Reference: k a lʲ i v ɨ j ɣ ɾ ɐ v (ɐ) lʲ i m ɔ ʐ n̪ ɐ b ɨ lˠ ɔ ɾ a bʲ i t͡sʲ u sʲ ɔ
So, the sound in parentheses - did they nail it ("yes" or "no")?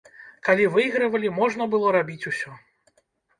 yes